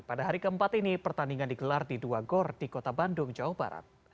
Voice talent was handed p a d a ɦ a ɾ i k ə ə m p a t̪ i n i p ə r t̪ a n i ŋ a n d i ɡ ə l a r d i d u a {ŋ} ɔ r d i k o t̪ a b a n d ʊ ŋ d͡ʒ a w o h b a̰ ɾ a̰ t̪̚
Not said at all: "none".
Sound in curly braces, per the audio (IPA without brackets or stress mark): ɡ